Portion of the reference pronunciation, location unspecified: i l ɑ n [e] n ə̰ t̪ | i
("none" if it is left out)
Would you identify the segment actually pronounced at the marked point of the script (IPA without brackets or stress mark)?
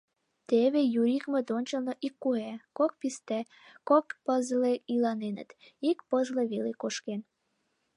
e